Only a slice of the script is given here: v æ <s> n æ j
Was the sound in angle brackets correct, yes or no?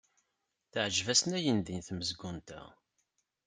yes